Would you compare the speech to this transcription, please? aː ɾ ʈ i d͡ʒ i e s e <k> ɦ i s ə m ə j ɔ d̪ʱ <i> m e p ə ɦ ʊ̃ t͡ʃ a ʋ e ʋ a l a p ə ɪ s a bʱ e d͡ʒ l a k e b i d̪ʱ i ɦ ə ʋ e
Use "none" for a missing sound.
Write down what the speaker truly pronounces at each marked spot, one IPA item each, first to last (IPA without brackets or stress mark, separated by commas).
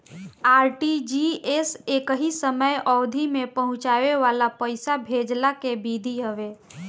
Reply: k, i